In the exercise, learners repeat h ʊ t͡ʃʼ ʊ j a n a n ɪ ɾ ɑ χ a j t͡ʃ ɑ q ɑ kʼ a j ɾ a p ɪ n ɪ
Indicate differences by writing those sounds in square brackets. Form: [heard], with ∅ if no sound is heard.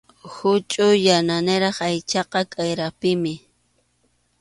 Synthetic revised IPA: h ʊ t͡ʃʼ ʊ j a n a n ɪ ɾ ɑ χ a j t͡ʃ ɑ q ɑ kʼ a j ɾ a p ɪ [m] ɪ